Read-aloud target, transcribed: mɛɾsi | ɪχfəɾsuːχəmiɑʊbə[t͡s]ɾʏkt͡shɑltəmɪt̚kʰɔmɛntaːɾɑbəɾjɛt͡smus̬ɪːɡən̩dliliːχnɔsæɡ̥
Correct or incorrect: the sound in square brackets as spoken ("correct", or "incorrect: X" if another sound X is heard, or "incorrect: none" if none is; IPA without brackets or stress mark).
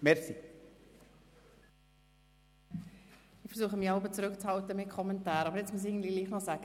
correct